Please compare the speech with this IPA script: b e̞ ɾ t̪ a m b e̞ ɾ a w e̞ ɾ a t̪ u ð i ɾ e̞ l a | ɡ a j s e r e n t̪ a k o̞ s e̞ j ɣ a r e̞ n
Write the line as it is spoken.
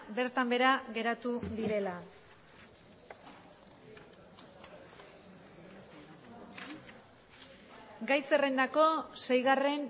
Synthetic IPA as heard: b e̞ ɾ t̪ a m b e̞ ɾ a ɣ e̞ ɾ a t̪ u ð i ɾ e̞ l a | ɡ a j s e r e n d̪ a k o̞ s e̞ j ɣ a r e̞ n